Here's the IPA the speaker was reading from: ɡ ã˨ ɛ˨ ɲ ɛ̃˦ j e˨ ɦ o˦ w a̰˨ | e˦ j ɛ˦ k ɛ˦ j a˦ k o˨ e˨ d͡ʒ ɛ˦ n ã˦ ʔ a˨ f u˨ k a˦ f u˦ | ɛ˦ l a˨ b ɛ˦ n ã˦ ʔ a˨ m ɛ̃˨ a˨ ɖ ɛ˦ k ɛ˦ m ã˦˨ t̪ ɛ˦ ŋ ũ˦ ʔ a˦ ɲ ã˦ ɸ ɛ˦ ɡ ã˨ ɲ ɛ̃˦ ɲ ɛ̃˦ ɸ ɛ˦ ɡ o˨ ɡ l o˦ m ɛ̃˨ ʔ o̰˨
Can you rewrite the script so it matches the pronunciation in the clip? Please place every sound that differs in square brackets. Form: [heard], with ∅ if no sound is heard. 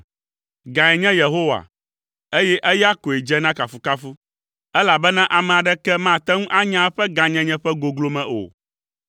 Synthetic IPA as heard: ɡ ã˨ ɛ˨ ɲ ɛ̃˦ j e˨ ɦ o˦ w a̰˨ | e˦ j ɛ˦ [ʔ] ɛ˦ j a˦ k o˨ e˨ d͡ʒ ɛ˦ n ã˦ [k] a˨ f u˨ k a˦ f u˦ | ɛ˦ l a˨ b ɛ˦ n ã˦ ʔ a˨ m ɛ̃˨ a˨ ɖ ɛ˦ k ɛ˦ m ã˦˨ t̪ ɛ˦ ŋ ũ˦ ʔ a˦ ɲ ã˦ ɸ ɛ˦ ɡ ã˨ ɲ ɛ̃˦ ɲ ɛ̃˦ ɸ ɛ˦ ɡ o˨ ɡ l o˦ m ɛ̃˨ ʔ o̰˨

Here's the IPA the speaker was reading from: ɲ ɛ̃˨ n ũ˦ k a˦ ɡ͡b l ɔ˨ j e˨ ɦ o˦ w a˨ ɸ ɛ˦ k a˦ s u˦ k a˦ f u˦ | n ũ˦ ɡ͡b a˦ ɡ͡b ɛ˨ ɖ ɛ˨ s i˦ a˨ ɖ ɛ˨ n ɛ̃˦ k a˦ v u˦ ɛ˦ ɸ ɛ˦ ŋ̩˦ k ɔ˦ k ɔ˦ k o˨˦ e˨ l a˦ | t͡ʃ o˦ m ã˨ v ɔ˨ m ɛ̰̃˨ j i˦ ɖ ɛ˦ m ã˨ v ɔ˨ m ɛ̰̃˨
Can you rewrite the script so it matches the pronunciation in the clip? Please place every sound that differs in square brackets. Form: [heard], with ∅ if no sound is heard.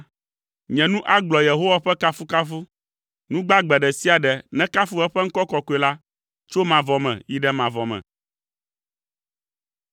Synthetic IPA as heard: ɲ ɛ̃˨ n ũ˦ [ʔ] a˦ ɡ͡b l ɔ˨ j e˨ ɦ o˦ w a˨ ɸ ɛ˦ k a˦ [f] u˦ k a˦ f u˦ | n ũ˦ ɡ͡b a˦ ɡ͡b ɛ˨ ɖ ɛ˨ s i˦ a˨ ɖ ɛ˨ n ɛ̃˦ k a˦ [f] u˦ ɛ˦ ɸ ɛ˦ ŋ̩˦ k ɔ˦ k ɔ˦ k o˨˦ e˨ l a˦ | t͡ʃ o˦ m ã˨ v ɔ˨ m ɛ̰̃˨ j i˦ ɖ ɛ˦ m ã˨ v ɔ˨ m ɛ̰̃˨

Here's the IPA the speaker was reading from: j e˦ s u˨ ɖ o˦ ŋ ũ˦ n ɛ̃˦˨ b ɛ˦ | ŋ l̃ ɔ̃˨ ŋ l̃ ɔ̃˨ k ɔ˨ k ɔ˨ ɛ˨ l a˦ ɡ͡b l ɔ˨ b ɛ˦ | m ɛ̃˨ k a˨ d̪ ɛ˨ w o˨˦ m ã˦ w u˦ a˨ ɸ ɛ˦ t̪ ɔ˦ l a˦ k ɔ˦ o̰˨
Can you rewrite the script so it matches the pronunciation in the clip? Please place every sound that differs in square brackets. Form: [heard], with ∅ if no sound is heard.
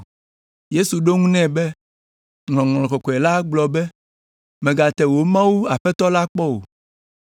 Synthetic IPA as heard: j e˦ s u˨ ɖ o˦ ŋ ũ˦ n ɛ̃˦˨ b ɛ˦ | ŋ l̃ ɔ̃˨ ŋ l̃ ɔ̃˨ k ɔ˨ k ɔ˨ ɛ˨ l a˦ ɡ͡b l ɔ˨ b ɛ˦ | m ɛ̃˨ [ɡ] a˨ [t̪] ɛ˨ w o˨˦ m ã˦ w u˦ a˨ ɸ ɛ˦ t̪ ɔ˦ l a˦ [k͡p] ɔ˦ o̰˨

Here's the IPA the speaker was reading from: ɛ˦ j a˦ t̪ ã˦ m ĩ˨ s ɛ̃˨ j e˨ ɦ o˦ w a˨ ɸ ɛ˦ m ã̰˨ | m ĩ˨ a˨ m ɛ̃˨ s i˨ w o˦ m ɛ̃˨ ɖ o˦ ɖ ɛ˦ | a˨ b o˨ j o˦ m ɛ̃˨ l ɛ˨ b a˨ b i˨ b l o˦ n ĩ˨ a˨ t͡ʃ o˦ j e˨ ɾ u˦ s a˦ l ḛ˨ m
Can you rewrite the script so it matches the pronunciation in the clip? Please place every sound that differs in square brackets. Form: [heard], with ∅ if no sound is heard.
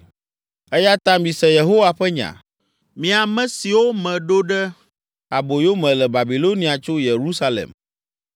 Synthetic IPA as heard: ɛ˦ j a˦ t̪ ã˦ m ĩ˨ s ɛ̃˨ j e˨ ɦ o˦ w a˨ ɸ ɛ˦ [ɲ] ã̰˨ | m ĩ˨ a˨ m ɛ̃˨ s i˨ w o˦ m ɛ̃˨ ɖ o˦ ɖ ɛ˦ | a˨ b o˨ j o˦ m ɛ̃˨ l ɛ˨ b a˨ b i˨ [∅] l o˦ n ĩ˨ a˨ t͡ʃ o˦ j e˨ ɾ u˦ s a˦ l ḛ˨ m

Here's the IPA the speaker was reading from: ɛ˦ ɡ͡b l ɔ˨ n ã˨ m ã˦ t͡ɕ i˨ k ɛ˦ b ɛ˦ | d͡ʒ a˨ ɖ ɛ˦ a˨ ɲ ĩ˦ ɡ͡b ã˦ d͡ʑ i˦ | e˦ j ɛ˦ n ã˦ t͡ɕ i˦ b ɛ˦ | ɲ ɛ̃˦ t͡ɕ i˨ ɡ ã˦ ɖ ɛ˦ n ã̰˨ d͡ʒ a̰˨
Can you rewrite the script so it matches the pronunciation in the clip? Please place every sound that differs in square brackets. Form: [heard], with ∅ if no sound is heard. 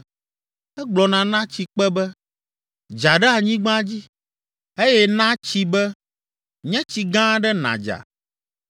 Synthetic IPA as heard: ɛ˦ ɡ͡b l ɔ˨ n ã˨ [n] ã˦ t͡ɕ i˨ [k͡p] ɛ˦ b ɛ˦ | d͡ʒ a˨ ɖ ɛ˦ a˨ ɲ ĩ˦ ɡ͡b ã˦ d͡ʑ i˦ | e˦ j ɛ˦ n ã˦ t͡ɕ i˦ b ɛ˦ | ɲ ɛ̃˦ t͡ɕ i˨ ɡ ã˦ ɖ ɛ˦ n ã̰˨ d͡ʒ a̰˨

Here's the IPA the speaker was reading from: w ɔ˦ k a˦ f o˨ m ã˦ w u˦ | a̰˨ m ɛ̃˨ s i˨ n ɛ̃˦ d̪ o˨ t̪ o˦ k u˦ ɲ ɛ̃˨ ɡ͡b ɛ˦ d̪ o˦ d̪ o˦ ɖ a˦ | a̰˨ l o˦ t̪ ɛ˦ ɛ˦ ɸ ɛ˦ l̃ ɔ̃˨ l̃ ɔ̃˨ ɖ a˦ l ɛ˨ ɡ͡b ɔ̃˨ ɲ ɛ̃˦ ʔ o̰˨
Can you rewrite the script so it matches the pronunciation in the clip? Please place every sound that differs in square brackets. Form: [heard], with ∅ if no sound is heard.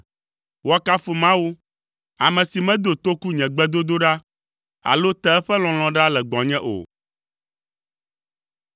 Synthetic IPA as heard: w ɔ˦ k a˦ f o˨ m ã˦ w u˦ | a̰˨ m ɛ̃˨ s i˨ [m] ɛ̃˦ d̪ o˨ t̪ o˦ k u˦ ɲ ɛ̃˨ ɡ͡b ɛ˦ d̪ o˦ d̪ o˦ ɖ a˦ | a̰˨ l o˦ t̪ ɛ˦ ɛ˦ ɸ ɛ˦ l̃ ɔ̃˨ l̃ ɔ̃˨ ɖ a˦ l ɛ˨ ɡ͡b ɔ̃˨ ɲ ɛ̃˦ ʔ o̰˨

